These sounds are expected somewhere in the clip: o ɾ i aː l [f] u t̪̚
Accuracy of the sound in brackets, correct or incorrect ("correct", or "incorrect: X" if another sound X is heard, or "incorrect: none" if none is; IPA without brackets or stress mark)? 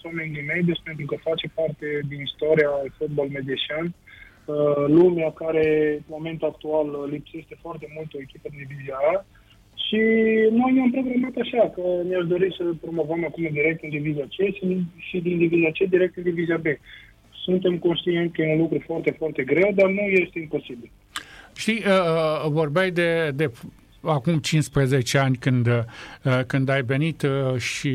correct